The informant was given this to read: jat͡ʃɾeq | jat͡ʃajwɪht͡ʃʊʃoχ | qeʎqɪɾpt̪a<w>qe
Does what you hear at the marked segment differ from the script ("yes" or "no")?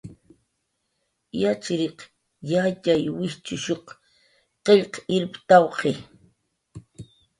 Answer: no